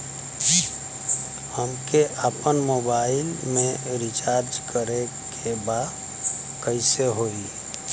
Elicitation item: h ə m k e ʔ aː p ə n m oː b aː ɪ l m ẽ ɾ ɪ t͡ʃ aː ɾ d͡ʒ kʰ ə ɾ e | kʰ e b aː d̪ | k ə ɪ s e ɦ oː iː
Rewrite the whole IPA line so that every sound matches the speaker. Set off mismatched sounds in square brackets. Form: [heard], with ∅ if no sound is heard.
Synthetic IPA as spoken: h ə m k e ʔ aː p ə n m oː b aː ɪ l m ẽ ɾ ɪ t͡ʃ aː ɾ d͡ʒ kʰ ə ɾ e | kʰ e b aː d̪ | k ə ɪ s e ɦ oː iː